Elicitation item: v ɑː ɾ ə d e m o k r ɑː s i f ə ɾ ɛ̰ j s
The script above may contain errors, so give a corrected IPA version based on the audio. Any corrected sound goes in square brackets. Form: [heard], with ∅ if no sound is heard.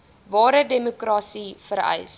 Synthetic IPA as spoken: v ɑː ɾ ə d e m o k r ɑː s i f ə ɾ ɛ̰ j s